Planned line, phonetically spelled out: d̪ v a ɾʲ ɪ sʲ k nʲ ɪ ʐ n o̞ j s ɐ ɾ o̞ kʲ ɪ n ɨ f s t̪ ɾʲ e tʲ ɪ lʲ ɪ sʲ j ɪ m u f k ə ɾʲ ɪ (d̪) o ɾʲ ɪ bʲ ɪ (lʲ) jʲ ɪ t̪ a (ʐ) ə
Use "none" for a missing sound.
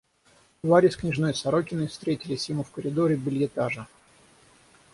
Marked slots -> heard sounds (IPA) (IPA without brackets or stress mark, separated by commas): d̪, lʲ, ʐ